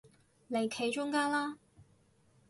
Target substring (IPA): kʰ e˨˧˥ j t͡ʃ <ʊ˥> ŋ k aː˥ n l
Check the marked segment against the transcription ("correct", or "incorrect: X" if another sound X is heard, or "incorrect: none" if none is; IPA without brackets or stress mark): correct